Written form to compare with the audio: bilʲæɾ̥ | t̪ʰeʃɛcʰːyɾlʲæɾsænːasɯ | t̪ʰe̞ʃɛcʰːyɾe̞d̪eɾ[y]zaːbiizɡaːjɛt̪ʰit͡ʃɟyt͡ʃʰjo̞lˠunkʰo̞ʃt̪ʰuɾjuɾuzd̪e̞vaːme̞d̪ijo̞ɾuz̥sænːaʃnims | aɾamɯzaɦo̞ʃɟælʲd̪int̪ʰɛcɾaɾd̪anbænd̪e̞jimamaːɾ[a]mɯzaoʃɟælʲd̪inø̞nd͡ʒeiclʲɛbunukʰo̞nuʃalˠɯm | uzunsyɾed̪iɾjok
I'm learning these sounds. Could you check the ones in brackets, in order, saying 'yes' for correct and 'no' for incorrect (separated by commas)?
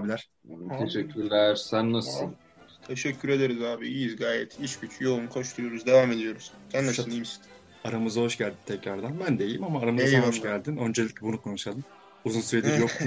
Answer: no, yes